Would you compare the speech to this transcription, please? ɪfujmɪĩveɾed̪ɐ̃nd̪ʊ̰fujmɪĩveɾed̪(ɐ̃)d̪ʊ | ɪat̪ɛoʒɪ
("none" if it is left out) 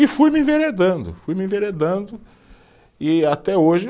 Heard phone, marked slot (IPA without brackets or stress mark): ɐ̃